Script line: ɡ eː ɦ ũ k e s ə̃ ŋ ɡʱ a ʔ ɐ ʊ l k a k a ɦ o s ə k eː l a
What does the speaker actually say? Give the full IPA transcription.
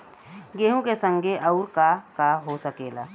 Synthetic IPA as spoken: ɡ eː ɦ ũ k e s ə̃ ŋ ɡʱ e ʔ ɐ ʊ ɾ k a k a ɦ o s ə k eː l a